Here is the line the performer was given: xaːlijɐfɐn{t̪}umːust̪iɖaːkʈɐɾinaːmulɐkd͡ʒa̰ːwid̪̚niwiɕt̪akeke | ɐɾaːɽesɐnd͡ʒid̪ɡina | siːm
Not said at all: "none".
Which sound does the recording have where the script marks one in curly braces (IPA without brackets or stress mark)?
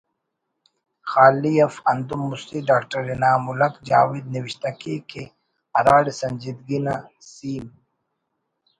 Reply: d̪